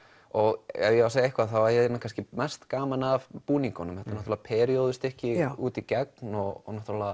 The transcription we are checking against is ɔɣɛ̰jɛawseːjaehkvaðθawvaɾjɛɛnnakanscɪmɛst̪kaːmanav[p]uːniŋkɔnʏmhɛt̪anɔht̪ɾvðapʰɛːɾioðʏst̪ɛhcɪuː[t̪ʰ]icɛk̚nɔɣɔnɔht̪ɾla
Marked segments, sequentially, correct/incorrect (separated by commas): correct, incorrect